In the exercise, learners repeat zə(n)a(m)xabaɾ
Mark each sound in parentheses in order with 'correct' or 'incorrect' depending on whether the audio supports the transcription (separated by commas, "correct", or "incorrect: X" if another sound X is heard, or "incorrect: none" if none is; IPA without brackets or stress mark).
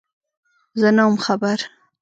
correct, correct